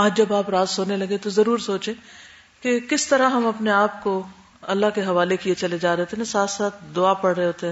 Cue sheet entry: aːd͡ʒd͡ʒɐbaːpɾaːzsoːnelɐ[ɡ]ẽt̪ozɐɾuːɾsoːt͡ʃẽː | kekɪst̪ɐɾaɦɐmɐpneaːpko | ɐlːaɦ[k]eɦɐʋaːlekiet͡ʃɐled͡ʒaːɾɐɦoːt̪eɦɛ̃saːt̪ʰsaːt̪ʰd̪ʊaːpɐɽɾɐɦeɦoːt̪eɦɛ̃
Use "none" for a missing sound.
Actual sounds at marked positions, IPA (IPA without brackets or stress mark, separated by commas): ɡ, k